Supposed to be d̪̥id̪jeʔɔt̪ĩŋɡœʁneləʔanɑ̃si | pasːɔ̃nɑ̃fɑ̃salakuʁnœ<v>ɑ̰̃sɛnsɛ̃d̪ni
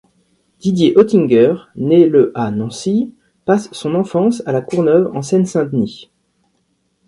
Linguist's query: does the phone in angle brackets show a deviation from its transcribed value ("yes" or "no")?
no